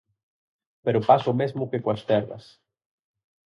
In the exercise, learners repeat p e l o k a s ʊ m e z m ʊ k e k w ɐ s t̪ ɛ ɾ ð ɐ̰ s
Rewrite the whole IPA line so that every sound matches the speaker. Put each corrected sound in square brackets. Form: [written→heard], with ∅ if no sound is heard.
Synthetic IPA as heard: p e [l→ɾ] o [k→p] a s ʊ m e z m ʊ k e k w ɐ s t̪ ɛ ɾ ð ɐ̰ s